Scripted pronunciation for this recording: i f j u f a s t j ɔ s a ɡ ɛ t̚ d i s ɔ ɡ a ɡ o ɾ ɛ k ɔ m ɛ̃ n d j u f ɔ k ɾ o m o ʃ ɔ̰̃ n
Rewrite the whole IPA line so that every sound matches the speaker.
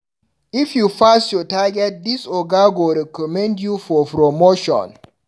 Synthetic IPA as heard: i f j u f a s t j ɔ t a ɡ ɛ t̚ d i s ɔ ɡ a ɡ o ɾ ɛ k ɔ m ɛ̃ n d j u f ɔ p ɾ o m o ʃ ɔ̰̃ n